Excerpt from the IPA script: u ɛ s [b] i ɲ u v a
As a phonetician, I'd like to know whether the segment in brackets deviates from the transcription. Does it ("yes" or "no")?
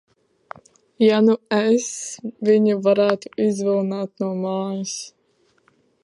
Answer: yes